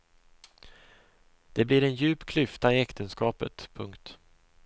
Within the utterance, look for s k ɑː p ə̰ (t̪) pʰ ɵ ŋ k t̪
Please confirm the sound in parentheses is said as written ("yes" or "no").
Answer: yes